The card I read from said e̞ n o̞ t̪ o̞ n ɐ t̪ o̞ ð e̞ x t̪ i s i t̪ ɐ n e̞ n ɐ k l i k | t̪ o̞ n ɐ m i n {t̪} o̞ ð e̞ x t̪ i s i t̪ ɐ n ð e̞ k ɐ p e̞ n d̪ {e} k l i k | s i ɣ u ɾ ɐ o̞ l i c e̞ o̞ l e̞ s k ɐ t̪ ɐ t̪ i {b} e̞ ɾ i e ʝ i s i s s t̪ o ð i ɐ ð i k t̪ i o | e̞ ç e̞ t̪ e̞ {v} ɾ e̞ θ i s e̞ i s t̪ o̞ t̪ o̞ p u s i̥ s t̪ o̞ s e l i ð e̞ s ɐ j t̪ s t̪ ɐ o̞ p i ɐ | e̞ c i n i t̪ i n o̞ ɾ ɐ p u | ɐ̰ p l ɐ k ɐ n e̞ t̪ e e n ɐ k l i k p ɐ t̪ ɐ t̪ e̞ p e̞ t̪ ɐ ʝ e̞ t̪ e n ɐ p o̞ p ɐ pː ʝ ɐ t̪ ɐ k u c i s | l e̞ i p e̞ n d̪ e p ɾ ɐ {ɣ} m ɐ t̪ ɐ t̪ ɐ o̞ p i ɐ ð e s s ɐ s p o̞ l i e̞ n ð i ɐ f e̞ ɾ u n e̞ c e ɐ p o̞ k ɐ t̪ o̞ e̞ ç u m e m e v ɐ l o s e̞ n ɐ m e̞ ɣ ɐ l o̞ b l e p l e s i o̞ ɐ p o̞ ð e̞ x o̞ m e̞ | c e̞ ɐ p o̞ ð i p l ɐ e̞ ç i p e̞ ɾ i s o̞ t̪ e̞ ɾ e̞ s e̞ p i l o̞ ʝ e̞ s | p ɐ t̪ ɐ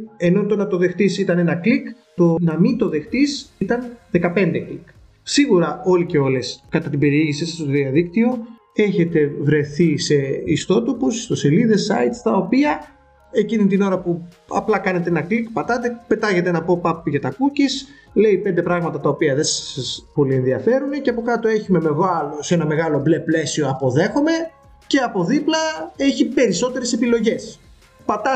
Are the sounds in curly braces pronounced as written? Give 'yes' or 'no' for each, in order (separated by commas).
yes, yes, yes, yes, yes